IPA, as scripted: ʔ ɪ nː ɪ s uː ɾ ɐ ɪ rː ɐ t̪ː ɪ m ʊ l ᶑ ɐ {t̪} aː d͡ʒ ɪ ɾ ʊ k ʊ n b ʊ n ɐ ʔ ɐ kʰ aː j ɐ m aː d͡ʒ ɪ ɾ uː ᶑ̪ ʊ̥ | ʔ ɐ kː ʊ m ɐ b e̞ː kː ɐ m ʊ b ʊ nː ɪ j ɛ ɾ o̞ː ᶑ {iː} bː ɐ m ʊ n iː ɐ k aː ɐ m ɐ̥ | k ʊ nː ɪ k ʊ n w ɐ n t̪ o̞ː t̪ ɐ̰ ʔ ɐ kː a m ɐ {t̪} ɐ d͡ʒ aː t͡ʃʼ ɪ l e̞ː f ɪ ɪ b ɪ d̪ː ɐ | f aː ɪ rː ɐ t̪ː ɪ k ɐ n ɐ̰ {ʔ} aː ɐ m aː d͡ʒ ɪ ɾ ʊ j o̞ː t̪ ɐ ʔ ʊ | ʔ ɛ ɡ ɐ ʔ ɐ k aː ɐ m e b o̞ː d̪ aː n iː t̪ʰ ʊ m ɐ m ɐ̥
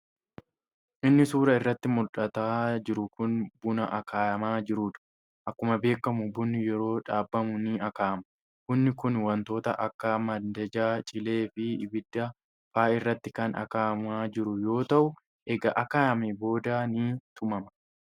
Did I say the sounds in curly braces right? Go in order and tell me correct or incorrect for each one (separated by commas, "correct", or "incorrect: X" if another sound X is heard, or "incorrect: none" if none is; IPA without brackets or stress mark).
correct, incorrect: aː, incorrect: d̪, incorrect: k